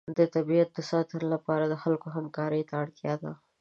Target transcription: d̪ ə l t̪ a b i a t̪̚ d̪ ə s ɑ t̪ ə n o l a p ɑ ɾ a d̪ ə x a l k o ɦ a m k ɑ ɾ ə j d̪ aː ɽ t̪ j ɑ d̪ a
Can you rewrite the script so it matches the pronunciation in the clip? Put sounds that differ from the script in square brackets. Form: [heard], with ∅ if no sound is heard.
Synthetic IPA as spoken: d̪ ə [∅] t̪ a b i a t̪̚ d̪ ə s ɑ t̪ ə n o l a p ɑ ɾ a d̪ ə x a l k o ɦ a m k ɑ ɾ ə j [t̪] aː ɽ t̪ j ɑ d̪ a